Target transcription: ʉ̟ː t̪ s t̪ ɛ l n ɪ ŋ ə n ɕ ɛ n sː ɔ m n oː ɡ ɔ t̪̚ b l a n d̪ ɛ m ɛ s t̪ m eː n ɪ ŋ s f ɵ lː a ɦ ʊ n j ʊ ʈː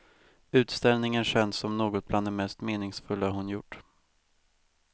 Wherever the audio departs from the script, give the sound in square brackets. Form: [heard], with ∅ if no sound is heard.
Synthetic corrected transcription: ʉ̟ː t̪ s t̪ ɛ l n ɪ ŋ ə n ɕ ɛ n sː ɔ m n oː ɡ ɔ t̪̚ b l a n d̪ ɛ m ɛ s t̪ m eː n ɪ ŋ s f ɵ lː a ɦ ʊ n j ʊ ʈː